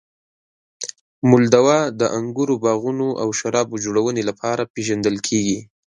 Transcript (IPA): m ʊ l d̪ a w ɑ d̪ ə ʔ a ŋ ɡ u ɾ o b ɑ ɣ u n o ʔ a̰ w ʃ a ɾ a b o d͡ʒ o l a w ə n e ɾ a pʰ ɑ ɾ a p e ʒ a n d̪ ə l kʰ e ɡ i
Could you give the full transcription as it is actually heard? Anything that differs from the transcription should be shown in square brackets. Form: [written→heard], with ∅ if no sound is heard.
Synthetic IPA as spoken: m ʊ l d̪ a w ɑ d̪ ə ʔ a ŋ ɡ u ɾ o b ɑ ɣ u n o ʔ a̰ w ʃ a ɾ [a→ɑ] b o d͡ʒ o [l→ɽ] a w ə n e [ɾ→l] a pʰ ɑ ɾ a p e ʒ a n d̪ ə l kʰ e ɡ i